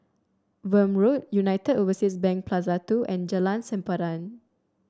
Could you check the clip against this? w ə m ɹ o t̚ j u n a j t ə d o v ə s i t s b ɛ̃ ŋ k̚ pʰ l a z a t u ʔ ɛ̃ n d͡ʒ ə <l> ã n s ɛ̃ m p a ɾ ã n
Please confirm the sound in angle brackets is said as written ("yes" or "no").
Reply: yes